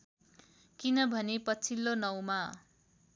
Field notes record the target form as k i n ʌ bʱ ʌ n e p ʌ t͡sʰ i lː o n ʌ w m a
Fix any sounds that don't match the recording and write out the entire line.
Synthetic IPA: k i n ʌ bʱ ʌ n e p ʌ t͡sʰ i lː o n ʌ w m a